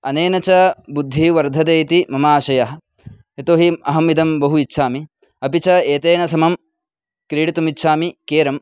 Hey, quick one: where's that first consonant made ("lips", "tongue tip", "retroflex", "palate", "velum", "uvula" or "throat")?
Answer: tongue tip